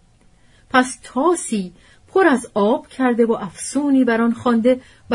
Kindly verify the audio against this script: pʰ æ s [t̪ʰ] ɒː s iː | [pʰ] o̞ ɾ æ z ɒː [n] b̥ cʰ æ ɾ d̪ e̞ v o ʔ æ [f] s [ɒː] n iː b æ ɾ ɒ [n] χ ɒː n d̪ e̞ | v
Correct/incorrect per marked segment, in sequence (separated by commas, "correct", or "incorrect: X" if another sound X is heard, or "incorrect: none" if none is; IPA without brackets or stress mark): correct, correct, incorrect: none, correct, incorrect: uː, correct